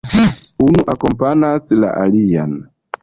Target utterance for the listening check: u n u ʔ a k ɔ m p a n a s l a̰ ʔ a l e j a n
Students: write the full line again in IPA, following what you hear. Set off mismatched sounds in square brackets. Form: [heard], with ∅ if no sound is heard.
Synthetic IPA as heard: u n u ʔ a k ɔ m p a n a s l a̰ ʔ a l [i] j a n